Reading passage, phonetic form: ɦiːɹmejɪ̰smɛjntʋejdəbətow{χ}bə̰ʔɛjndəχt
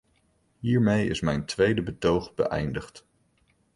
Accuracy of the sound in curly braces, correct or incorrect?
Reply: correct